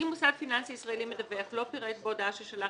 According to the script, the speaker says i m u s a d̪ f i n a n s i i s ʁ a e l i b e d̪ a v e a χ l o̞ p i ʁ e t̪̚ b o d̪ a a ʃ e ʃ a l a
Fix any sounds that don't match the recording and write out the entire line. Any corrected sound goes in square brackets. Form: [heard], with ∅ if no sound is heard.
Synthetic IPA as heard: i m u s a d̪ f i n a n s i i s ʁ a e l i [m] e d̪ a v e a χ l o̞ p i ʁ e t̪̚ b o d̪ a a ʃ e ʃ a l a